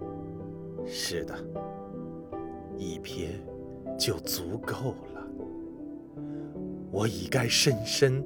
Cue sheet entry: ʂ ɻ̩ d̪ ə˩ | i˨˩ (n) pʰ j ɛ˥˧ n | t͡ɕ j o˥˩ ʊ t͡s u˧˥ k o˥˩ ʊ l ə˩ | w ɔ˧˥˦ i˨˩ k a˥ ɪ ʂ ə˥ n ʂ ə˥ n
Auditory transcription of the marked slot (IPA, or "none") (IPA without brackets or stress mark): none